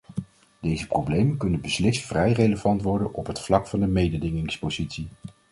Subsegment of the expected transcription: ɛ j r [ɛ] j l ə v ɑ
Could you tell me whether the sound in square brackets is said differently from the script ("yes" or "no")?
yes